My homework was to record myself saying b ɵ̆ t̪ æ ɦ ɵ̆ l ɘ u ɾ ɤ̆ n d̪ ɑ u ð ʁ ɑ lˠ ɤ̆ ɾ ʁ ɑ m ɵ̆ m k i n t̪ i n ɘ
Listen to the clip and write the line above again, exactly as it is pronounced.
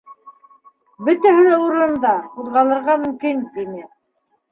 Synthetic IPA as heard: b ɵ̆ t̪ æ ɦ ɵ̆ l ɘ u ɾ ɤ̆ n d̪ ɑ u ð ʁ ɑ lˠ ɤ̆ ɾ ʁ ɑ m ɵ̆ m k i n t̪ i n ɘ